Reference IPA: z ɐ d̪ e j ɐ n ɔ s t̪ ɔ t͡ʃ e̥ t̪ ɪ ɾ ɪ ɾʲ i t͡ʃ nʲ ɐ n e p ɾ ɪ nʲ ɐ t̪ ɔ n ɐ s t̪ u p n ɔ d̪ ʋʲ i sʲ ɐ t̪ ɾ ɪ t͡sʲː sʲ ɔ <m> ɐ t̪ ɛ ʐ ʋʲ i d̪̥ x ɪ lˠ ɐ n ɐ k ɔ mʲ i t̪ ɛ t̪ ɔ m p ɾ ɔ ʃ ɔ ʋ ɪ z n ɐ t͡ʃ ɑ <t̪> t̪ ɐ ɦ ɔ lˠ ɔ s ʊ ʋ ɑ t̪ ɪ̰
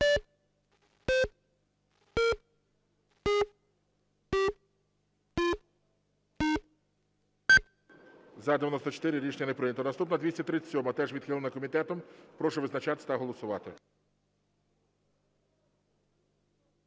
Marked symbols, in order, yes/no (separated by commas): yes, yes